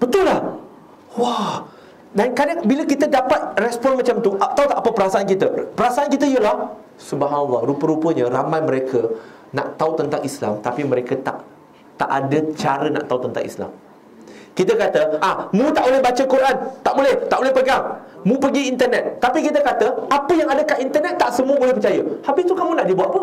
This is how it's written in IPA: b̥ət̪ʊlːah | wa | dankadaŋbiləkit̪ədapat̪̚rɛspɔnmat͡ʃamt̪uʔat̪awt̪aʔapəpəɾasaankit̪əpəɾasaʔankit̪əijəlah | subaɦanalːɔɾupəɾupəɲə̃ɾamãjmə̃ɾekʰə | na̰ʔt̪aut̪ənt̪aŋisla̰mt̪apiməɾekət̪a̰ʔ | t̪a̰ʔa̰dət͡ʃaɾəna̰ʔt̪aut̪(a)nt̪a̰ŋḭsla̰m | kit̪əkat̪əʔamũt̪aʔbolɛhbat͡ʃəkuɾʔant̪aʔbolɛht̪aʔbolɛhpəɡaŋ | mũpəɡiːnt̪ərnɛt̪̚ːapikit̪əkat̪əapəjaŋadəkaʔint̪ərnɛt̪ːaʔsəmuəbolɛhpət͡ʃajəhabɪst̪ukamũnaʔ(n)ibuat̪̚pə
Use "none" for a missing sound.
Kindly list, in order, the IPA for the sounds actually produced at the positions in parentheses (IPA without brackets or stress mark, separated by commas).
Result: ə, d